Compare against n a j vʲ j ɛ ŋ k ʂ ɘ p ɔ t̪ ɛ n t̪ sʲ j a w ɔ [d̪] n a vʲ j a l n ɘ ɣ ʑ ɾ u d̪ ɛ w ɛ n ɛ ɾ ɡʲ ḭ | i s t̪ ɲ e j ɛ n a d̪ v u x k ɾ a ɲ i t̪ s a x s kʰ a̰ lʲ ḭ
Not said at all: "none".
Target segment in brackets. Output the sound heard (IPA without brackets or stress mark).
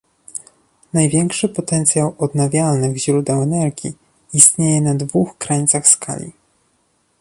d̪